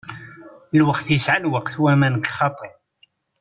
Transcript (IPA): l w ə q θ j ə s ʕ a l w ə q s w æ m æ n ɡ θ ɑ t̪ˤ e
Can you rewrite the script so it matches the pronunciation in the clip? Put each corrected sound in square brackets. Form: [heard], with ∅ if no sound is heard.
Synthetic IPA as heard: l w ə q θ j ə s ʕ a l w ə q [θ] w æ m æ n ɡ [χ] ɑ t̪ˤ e